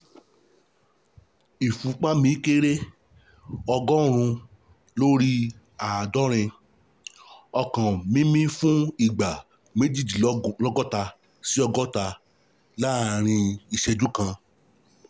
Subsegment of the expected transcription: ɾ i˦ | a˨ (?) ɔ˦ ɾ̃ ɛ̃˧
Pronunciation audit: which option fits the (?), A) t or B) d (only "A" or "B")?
B